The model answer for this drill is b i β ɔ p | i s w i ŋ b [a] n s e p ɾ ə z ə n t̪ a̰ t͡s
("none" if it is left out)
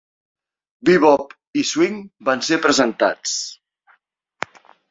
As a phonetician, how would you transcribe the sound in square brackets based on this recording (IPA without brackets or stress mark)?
a